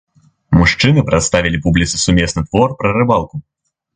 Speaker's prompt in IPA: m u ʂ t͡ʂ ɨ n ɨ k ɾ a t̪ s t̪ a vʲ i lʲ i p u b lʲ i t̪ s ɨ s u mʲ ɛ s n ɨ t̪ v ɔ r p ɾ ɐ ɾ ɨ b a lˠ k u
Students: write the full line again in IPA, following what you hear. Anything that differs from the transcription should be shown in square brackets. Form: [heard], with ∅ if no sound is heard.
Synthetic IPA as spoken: m u ʂ t͡ʂ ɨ n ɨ [p] ɾ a t̪ s t̪ a vʲ i lʲ i p u b lʲ i t̪ s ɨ s u mʲ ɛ s n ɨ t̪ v ɔ r p ɾ ɐ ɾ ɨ b a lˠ k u